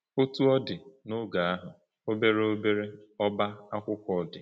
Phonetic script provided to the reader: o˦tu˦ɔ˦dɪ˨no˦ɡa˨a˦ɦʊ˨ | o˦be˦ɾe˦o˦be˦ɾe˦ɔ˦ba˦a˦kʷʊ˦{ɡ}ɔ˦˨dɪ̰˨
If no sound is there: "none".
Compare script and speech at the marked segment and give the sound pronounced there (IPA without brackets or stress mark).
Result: k